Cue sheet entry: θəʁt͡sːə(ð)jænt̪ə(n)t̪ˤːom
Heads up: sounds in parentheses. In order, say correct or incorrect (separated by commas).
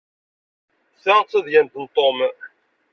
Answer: correct, correct